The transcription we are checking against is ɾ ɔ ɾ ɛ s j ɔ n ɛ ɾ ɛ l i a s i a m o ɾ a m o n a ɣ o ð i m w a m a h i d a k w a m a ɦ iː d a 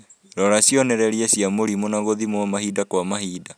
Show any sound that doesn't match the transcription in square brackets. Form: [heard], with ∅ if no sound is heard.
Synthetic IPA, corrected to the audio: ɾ ɔ ɾ [a] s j ɔ n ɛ ɾ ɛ [ɾ] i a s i a m o ɾ [i] m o n a ɣ o ð i m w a m a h i d a k w a m a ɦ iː d a